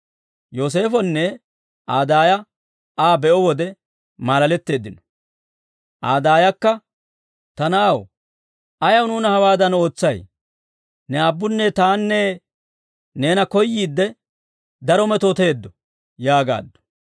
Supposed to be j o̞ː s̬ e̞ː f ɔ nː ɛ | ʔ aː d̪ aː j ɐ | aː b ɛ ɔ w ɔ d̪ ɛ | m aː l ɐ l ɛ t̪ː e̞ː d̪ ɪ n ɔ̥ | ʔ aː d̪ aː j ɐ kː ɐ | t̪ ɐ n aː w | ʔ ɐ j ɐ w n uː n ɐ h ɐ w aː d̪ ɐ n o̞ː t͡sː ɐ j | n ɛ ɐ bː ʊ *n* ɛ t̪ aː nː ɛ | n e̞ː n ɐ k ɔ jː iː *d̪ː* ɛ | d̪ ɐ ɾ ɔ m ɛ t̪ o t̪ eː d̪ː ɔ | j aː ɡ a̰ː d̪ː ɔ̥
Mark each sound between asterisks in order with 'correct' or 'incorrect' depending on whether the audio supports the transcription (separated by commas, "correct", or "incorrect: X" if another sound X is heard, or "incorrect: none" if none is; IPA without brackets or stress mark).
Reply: incorrect: nː, correct